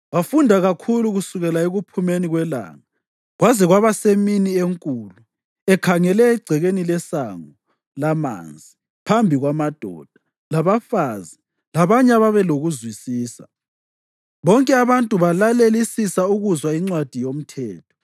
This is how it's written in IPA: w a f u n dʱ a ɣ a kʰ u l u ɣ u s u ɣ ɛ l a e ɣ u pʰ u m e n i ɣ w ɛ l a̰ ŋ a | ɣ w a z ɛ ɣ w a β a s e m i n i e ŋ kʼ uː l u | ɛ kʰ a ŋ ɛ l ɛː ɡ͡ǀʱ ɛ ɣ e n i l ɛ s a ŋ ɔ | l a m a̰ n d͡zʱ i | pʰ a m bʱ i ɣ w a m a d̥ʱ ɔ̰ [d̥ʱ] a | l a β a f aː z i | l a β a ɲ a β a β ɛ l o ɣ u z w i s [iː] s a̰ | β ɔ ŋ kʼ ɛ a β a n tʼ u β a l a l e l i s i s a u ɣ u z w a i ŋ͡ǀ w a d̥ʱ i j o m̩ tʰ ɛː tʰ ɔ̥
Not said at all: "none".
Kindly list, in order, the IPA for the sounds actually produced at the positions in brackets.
d̥ʱ, iː

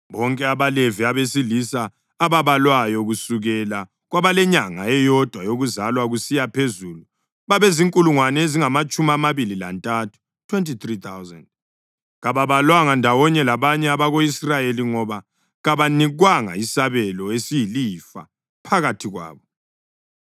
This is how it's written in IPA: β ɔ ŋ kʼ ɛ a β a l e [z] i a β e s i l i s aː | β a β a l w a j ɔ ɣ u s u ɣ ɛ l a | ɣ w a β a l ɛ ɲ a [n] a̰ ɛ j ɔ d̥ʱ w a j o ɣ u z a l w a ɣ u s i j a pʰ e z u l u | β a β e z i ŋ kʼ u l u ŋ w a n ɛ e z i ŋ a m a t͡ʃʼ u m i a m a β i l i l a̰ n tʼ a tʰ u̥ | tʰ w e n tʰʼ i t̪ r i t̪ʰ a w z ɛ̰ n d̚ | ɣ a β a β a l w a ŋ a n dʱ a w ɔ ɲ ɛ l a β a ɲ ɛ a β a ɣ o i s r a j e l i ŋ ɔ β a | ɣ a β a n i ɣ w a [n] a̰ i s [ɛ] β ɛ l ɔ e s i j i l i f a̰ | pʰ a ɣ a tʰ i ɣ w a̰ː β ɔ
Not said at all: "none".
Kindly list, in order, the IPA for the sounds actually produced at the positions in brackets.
v, ŋ, ŋ, a

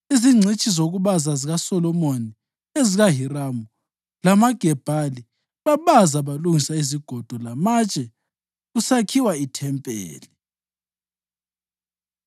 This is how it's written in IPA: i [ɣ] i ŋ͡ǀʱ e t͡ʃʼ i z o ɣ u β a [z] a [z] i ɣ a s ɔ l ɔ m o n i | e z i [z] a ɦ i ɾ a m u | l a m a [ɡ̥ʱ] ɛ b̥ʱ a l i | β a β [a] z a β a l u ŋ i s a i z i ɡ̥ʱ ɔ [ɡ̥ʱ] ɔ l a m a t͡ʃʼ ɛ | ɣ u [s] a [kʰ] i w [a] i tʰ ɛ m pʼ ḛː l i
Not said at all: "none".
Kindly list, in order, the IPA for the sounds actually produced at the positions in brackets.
z, z, z, ɣ, ɡ̥ʱ, a, d̥ʱ, s, kʰ, a

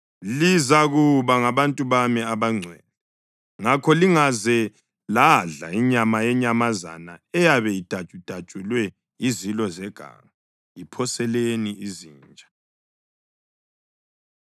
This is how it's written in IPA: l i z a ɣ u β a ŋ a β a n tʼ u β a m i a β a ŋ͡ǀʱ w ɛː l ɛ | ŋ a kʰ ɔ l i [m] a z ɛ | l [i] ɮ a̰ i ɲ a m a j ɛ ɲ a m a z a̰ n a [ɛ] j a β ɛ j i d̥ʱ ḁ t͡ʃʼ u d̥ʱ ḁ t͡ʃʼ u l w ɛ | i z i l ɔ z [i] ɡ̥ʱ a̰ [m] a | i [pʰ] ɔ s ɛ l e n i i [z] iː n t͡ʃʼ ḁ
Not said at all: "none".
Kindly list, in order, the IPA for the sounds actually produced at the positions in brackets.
ŋ, a, ɛ, ɛ, ŋ, pʰ, z

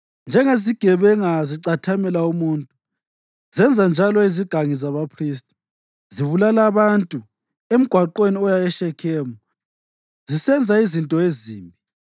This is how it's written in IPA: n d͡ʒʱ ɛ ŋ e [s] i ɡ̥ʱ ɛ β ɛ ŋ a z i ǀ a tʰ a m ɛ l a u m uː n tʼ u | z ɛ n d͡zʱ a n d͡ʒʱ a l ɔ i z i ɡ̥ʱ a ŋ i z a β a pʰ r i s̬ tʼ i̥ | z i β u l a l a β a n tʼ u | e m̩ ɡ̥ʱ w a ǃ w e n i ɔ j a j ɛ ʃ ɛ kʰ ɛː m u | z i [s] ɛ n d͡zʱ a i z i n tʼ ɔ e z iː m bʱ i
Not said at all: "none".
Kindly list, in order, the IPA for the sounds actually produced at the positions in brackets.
z, s

